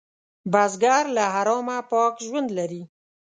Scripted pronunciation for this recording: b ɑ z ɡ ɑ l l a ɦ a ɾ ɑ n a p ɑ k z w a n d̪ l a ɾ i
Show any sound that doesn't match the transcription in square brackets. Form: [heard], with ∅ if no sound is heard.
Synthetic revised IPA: b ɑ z ɡ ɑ [ɾ] l a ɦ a ɾ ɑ [m] a p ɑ k [ʒ] w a n d̪ l a ɾ i